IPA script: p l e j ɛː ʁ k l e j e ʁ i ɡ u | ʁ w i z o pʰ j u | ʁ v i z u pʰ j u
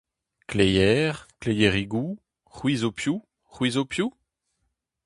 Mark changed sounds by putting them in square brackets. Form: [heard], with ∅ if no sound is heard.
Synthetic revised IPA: [k] l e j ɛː ʁ k l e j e ʁ i ɡ u | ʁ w i z o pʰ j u | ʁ [w] i z [o] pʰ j u